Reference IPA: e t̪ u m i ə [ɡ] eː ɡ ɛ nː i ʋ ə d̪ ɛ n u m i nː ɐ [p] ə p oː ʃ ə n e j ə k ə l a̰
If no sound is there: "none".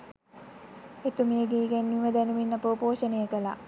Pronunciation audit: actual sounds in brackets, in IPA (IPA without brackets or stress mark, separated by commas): ɡ, p